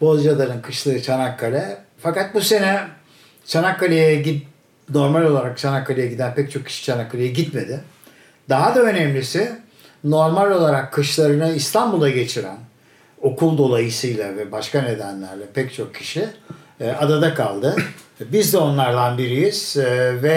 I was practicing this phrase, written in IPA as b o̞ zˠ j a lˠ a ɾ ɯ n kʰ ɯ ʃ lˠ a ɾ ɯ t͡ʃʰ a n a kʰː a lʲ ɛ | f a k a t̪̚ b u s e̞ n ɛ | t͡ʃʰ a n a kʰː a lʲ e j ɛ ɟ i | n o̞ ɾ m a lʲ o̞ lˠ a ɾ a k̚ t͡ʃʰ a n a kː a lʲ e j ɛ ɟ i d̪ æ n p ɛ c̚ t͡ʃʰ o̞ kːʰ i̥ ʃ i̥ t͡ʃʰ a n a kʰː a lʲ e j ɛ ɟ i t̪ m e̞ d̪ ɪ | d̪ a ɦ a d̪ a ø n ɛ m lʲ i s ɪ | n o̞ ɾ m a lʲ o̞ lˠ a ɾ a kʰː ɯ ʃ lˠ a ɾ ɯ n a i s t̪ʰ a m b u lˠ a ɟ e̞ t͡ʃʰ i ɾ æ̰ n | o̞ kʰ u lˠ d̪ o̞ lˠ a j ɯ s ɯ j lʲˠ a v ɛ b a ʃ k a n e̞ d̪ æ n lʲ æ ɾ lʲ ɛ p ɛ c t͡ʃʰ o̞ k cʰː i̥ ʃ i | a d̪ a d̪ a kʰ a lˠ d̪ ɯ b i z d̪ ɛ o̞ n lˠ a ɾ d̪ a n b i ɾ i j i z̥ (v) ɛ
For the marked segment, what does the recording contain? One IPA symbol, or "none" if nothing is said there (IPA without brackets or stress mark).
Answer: v